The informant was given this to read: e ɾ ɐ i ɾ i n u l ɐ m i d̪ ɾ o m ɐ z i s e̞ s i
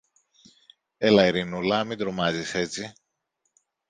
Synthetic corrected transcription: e l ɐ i ɾ i n u l ɐ m i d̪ ɾ o m ɐ z i s e̞ t͡s i

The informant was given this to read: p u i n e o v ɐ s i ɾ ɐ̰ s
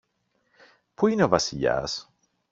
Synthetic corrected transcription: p u i n e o v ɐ s i ʎ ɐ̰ s

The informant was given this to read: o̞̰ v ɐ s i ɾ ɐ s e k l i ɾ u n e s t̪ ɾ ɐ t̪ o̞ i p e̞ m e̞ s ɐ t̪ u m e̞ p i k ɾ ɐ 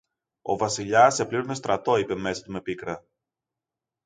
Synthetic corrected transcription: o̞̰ v ɐ s i ʎ ɐ s e p l i ɾ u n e s t̪ ɾ ɐ t̪ o̞ i p e̞ m e̞ s ɐ t̪ u m e̞ p i k ɾ ɐ

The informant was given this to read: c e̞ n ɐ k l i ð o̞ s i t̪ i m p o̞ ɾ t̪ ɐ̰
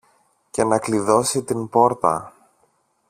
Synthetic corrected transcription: c e̞ n ɐ k l i ð o̞ s i t̪ i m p o̞ ɾ t̪ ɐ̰

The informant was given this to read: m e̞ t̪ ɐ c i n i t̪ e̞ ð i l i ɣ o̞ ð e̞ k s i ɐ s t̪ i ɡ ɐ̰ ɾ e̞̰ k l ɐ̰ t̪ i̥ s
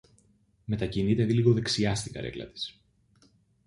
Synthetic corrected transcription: m e̞ t̪ ɐ c i n i t̪ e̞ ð i l i ɣ o̞ ð e̞ k s i ɐ s t̪ i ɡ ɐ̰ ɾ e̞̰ k l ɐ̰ t̪ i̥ s

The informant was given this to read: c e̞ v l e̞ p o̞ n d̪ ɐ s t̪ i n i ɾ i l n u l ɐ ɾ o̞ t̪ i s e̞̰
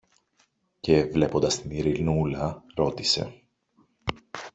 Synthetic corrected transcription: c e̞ v l e̞ p o̞ n d̪ ɐ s t̪ i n i ɾ i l n u l ɐ ɾ o̞ t̪ i s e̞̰

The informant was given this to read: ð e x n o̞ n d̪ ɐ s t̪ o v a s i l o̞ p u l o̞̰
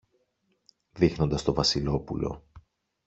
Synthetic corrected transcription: ð i x n o̞ n d̪ ɐ s t̪ o v ɐ s i l o̞ p u l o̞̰

